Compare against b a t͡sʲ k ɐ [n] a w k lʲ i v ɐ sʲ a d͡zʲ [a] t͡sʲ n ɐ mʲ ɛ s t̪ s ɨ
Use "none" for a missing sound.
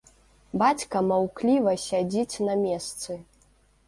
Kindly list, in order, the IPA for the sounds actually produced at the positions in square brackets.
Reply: m, i

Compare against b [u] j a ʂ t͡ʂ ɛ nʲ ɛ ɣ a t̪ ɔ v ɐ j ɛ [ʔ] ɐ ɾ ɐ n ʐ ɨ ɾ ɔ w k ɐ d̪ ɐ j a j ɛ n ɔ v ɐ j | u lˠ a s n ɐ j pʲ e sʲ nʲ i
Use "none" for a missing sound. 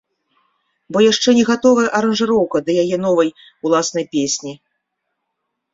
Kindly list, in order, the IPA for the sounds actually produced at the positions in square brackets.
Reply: ɔ, ʔ

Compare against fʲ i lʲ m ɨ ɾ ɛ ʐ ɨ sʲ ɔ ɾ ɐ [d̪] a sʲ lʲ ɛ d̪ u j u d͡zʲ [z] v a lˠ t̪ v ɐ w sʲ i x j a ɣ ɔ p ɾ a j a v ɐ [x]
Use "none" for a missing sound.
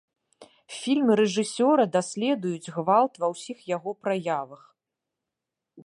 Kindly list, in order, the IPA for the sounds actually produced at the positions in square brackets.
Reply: d̪, ɣ, x

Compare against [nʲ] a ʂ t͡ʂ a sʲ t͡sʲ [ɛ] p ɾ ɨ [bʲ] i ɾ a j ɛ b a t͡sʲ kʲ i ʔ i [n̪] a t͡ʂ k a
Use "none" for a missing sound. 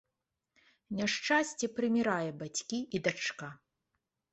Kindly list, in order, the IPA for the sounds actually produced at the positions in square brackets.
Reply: nʲ, ɛ, mʲ, d̪

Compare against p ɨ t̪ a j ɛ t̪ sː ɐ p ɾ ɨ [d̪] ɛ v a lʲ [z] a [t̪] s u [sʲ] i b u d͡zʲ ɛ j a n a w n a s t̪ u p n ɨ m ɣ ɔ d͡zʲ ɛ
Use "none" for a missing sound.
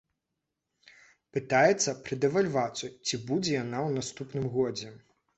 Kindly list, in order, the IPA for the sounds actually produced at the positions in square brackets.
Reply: d̪, v, t̪, t͡sʲ

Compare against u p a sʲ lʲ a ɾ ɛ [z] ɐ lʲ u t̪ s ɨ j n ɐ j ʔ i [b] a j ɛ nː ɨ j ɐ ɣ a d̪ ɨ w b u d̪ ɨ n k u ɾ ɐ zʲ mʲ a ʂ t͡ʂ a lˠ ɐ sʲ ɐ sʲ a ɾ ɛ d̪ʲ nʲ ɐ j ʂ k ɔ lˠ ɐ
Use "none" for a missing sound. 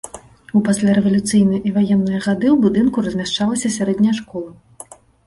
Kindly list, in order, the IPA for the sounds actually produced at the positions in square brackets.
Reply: v, v

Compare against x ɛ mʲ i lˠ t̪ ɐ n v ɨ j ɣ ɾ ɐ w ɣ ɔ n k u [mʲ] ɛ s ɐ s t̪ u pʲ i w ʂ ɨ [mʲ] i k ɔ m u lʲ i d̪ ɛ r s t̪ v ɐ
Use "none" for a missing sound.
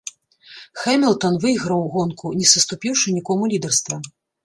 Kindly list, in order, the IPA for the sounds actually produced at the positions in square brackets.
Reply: nʲ, nʲ

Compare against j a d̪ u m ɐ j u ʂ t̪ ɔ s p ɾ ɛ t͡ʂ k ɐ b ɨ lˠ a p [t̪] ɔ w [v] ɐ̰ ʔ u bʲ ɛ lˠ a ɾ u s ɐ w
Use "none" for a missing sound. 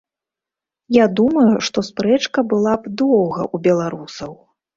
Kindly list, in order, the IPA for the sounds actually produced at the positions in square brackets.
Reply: d̪, ɣ

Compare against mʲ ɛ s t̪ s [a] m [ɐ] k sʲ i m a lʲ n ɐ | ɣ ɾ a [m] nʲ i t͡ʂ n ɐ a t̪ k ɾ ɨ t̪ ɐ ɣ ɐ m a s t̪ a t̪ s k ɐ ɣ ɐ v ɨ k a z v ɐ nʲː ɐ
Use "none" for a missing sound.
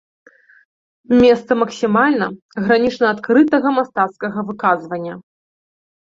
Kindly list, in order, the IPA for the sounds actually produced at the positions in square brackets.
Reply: ɐ, ɐ, none

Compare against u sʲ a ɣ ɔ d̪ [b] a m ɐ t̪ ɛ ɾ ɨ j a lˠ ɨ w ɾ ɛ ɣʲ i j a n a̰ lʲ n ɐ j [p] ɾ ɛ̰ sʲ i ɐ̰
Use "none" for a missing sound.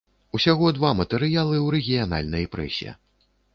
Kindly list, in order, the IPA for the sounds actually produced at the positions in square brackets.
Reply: v, p

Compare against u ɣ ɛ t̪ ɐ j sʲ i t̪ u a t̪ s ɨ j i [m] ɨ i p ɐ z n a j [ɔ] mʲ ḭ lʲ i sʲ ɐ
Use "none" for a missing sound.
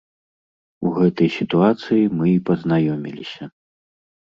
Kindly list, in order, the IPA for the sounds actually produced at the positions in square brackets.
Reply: m, ɔ

